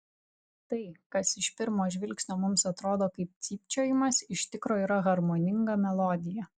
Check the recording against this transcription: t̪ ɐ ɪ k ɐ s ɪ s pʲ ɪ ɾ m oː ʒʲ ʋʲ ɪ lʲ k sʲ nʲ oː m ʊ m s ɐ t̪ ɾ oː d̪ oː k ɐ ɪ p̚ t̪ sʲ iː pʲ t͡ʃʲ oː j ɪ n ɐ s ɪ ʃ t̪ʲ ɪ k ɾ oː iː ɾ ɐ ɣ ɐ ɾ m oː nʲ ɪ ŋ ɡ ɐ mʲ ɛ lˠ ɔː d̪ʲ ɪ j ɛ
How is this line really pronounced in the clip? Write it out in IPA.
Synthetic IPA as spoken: t̪ ɐ ɪ k ɐ s ɪ ʃ pʲ ɪ ɾ m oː ʒʲ ʋʲ ɪ lʲ k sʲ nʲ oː m ʊ m s ɐ t̪ ɾ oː d̪ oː k ɐ ɪ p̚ t̪ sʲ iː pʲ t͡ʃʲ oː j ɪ m ɐ s ɪ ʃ t̪ʲ ɪ k ɾ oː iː ɾ ɐ ɣ ɐ ɾ m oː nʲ ɪ ŋ ɡ ɐ mʲ ɛ lˠ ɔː d̪ʲ ɪ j ɛ